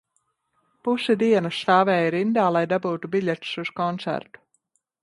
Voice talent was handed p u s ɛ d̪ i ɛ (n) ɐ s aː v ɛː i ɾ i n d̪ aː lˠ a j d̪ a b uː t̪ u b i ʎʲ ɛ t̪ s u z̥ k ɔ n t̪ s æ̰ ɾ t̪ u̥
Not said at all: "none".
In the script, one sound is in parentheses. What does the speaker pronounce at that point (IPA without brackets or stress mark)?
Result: n